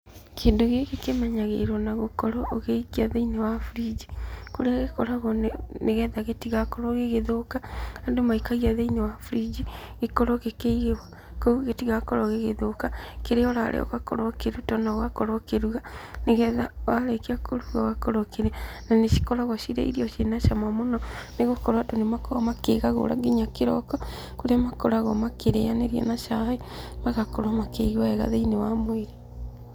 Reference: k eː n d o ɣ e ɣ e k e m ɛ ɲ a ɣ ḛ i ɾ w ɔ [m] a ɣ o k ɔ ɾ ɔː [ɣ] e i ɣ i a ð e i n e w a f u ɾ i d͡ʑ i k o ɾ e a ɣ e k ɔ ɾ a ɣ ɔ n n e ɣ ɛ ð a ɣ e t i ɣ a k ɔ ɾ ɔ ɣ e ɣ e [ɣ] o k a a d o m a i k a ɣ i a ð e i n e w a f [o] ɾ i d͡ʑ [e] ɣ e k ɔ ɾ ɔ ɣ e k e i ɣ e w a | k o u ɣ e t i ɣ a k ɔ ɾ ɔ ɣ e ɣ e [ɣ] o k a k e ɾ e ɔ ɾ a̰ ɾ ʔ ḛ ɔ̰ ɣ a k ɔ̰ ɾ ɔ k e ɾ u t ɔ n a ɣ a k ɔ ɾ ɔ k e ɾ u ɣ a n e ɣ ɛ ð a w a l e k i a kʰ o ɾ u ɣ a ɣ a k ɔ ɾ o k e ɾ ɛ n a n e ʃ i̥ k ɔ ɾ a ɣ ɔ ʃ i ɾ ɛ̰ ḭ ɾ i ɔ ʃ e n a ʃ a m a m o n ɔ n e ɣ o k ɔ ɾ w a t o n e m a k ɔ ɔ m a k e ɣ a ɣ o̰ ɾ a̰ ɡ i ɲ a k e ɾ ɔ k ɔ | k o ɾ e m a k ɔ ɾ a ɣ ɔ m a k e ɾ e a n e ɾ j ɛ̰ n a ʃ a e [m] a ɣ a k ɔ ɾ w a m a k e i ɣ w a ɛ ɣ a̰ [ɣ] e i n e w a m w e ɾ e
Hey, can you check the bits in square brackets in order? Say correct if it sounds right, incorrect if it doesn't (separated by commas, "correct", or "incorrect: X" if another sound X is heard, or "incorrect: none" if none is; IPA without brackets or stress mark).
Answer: incorrect: n, correct, incorrect: ð, incorrect: u, incorrect: i, incorrect: ð, correct, incorrect: ð